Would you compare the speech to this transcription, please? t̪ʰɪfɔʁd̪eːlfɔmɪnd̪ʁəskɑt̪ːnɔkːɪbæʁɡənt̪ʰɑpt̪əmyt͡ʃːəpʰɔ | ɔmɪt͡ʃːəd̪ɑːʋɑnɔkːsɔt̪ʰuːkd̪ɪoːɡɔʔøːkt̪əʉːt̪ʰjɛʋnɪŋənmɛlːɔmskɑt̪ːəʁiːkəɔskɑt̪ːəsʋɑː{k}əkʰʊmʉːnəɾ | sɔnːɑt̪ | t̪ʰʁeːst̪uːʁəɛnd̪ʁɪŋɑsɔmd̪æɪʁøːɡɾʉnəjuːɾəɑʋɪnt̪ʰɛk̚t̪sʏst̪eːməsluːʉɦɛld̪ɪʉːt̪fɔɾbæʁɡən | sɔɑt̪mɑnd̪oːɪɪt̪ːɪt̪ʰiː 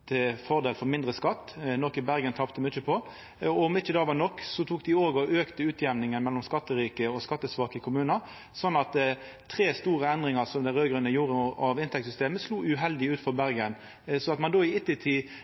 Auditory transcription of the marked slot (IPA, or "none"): k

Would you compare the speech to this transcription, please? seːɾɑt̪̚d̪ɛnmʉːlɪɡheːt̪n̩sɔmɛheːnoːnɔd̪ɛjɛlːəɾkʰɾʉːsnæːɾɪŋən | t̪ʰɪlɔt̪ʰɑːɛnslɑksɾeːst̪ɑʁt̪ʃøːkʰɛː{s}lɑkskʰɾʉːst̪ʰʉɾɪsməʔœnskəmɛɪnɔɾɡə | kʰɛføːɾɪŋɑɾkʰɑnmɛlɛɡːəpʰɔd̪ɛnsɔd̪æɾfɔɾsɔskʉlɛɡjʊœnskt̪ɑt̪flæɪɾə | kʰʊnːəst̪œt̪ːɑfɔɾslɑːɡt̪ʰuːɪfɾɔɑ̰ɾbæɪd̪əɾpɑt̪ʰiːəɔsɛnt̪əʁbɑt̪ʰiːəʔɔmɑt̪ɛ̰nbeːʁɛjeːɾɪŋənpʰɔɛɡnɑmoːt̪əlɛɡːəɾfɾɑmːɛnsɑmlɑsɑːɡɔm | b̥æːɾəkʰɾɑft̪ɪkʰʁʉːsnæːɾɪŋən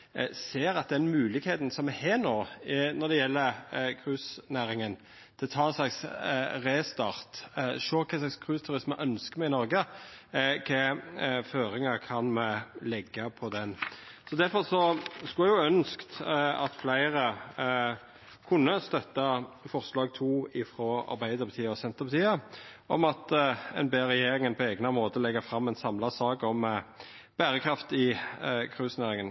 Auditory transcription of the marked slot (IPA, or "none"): s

